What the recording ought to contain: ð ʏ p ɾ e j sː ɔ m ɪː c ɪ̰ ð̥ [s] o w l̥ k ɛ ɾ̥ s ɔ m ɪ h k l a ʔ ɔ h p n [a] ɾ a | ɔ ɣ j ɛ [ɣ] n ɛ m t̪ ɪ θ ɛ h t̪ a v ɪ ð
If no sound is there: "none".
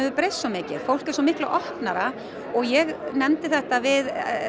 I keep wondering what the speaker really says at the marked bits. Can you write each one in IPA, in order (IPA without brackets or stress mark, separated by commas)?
f, a, ɣ